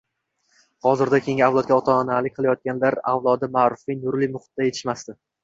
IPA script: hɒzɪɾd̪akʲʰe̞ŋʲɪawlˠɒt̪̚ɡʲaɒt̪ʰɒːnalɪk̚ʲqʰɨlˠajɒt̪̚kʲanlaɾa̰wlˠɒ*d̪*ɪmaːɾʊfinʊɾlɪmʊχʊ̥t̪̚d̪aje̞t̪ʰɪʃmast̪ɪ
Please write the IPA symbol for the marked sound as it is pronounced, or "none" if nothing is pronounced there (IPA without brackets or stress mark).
d̪